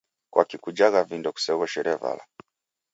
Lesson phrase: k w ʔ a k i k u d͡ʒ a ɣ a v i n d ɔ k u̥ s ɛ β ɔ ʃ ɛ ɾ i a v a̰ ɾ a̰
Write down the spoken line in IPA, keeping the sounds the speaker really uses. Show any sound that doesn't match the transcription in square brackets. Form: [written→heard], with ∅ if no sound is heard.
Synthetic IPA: k w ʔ a k i k u d͡ʒ a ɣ a v i n d ɔ k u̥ s ɛ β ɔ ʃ ɛ ɾ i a v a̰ [ɾ→l] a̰